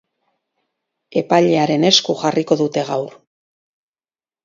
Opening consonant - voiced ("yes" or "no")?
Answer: no